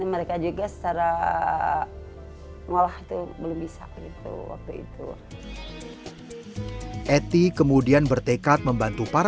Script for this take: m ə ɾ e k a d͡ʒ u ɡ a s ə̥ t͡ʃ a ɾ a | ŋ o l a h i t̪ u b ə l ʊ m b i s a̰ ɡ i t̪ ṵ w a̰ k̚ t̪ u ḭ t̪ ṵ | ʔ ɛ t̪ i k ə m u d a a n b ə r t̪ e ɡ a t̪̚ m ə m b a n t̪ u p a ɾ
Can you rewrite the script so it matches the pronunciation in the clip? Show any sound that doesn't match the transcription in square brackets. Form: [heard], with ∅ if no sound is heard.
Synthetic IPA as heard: m ə ɾ e k a d͡ʒ u ɡ a s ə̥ t͡ʃ a ɾ a | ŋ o l a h i t̪ u b ə l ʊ m b i s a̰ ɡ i t̪ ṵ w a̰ k̚ t̪ u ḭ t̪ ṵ | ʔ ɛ t̪ i k ə m u d [i] a n b ə r t̪ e [k] a t̪̚ m ə m b a n t̪ u p a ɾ